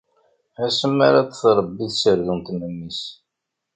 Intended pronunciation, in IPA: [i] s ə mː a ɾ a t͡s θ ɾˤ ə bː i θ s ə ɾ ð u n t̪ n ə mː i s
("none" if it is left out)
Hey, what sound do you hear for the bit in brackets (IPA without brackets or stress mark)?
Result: æ